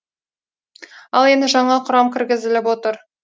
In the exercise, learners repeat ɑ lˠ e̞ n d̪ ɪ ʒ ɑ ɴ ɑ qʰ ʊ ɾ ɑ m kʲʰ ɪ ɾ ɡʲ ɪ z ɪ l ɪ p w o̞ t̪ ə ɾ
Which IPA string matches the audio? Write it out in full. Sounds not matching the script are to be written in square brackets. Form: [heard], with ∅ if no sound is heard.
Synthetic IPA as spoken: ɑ lˠ e̞ n d̪ ɪ ʒ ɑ ɴ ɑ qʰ ʊ ɾ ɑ m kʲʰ ɪ ɾ ɡʲ ɪ z ɪ l ɪ p w o̞ t̪ ə ɾ